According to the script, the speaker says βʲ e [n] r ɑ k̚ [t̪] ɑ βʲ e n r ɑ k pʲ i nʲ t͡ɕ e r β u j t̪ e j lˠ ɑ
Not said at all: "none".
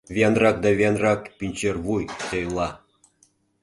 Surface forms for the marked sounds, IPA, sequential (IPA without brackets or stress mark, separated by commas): n, d̪